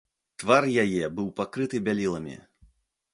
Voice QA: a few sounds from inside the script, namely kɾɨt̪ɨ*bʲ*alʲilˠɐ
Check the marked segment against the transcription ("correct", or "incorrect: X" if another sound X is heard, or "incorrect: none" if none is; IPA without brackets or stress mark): correct